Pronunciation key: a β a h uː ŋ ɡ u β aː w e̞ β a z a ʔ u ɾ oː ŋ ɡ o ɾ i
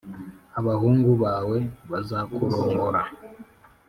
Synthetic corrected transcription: a β a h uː ŋ ɡ u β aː w e̞ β a z a k u ɾ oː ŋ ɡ o ɾ a